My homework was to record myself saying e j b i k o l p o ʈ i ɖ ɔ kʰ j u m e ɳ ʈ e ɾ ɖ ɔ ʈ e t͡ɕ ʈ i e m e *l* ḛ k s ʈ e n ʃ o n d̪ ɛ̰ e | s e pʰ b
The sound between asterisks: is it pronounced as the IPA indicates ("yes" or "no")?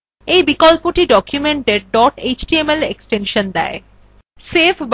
yes